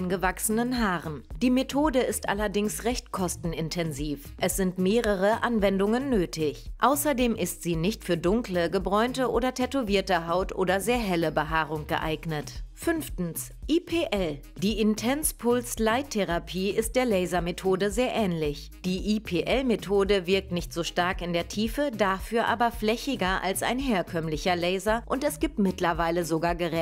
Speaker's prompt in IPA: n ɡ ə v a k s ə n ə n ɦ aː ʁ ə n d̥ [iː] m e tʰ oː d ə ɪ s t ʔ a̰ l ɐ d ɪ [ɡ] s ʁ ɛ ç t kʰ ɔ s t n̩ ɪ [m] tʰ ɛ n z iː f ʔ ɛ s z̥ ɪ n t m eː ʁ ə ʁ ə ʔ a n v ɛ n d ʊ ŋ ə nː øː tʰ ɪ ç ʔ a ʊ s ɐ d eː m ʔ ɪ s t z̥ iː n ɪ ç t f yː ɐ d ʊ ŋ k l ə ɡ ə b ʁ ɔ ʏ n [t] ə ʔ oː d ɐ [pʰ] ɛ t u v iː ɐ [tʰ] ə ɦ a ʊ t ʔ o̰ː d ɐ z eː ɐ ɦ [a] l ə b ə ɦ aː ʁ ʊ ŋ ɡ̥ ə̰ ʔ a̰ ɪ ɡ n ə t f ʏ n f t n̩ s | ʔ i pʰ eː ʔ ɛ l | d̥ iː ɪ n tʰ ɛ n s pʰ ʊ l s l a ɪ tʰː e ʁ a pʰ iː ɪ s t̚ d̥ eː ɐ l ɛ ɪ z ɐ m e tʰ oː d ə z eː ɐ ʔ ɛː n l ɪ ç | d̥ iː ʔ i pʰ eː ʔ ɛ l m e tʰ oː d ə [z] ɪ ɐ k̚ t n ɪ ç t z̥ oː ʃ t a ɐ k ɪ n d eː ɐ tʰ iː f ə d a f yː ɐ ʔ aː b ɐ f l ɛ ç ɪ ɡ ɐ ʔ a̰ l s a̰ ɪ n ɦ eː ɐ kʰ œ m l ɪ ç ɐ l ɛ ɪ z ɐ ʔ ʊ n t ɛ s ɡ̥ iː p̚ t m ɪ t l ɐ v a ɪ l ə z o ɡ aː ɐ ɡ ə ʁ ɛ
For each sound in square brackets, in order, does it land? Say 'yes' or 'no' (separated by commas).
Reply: yes, no, no, yes, no, no, no, no